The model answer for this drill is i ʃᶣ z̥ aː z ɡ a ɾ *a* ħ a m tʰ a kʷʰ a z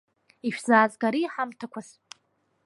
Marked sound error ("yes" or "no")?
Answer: yes